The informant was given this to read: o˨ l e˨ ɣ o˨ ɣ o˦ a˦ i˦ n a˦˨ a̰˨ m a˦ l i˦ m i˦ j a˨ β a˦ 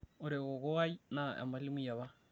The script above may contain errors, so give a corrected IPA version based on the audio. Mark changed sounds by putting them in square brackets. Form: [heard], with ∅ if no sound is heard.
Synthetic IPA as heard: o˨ [ɾ] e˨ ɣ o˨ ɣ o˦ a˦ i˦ n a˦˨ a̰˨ m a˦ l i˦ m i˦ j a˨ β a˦